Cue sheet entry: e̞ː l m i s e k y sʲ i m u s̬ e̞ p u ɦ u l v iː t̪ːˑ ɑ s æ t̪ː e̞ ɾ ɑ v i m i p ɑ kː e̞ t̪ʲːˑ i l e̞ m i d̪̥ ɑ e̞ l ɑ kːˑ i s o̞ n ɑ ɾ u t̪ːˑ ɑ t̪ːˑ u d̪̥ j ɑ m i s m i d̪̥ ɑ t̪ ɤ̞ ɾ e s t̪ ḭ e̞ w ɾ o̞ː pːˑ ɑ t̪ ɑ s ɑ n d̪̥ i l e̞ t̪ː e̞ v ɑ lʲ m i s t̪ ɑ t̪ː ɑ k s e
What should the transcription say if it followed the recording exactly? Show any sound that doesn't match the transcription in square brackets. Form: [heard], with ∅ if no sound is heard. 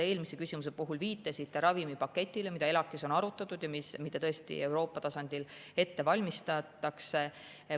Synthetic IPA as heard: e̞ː l m i s e k y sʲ i m u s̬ e̞ p u ɦ u l v iː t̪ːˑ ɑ s [i] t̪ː e̞ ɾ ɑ v i m i p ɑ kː e̞ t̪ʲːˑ i l e̞ m i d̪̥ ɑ e̞ l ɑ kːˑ i s o̞ n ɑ ɾ u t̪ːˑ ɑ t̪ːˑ u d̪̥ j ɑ m i s m i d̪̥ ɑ t̪ ɤ̞ [∅] e s t̪ ḭ e̞ w ɾ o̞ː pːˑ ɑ t̪ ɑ s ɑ n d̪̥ i l e̞ t̪ː e̞ v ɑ lʲ m i s t̪ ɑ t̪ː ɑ k s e